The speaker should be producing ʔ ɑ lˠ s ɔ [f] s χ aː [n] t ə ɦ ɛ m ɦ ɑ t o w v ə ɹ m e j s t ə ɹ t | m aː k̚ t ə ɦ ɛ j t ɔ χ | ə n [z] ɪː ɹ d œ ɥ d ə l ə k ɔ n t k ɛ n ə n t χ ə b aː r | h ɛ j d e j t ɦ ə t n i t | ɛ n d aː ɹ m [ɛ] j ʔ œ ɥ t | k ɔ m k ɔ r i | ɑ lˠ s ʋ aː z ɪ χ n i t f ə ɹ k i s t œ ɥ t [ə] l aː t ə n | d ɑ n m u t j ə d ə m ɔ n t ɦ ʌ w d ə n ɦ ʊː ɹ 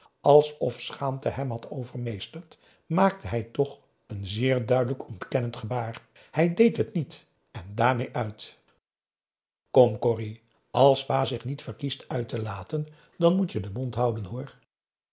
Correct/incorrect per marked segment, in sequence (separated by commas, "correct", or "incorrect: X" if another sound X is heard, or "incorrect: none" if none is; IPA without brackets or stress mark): correct, incorrect: m, correct, incorrect: e, correct